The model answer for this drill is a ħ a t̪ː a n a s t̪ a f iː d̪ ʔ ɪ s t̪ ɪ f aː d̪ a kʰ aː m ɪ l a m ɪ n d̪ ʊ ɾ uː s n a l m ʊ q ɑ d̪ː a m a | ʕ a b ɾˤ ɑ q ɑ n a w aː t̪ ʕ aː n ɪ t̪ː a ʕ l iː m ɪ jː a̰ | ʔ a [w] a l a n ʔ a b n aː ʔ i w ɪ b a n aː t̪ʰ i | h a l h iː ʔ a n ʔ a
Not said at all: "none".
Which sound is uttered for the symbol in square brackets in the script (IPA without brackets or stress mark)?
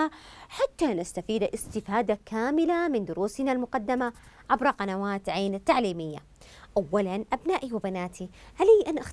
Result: wː